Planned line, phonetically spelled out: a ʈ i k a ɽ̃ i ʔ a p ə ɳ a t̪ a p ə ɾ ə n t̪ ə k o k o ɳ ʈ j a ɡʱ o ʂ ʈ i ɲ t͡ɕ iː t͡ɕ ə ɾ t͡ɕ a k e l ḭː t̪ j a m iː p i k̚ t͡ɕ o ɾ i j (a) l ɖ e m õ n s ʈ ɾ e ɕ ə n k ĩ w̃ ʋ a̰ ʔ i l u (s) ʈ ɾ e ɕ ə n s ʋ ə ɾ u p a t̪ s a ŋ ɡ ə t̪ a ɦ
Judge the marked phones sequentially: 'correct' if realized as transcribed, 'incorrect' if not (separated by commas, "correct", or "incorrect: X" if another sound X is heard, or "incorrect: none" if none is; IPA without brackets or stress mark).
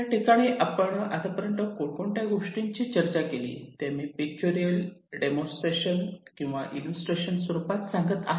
incorrect: ə, correct